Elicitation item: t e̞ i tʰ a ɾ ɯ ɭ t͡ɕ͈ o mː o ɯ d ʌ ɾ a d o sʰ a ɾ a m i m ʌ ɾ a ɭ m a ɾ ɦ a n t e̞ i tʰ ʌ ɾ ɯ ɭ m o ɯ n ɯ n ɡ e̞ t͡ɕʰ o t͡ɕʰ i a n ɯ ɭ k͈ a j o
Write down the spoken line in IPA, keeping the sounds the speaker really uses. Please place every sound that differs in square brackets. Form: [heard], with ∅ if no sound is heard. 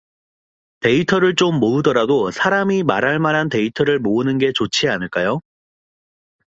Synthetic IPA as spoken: t e̞ i tʰ [ʌ] ɾ ɯ ɭ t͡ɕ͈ o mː o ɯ d ʌ ɾ a d o sʰ a ɾ a m i m [a] ɾ a ɭ m a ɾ ɦ a n t e̞ i tʰ ʌ ɾ ɯ ɭ m o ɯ n ɯ n ɡ e̞ [t͡ɕ] o t͡ɕʰ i a n ɯ ɭ k͈ a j o